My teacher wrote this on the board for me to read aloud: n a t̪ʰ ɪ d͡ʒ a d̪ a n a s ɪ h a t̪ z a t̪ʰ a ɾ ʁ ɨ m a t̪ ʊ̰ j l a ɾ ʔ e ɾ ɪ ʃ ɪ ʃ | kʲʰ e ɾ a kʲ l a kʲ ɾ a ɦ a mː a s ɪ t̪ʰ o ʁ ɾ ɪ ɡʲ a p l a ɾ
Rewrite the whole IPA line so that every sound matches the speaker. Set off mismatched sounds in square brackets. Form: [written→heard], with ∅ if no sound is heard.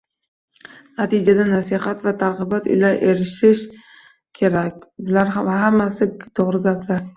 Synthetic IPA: n a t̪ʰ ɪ d͡ʒ a d̪ a n a s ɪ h a t̪ [z→v] a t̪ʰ a ɾ ʁ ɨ [m→b] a t̪ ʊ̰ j l a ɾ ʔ e ɾ ɪ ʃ ɪ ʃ | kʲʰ e ɾ a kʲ l a [kʲ→∅] ɾ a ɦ a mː a s ɪ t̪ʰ o ʁ ɾ ɪ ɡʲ a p l a ɾ